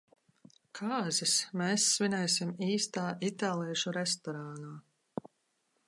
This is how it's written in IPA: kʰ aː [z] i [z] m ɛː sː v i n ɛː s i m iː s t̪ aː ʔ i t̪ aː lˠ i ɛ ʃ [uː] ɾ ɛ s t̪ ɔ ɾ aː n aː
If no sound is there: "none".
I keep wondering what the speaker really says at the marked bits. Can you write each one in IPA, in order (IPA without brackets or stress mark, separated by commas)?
z, s, u